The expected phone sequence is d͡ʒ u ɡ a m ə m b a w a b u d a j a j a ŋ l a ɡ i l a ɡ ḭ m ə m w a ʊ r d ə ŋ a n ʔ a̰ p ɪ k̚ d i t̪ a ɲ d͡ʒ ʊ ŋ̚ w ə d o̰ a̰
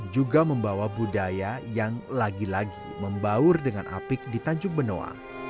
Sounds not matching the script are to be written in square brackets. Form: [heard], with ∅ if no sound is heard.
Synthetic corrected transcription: d͡ʒ u ɡ a m ə m b a w a b u d a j a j a ŋ l a ɡ i l a ɡ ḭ m ə m [b] a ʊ r d ə ŋ a n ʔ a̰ p ɪ k̚ d i t̪ a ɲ d͡ʒ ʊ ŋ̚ [b] ə [n] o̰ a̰